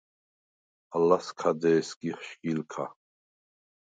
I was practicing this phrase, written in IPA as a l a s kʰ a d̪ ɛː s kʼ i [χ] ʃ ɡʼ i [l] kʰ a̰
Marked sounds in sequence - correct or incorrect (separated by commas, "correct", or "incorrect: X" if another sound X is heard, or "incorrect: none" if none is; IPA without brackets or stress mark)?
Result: correct, correct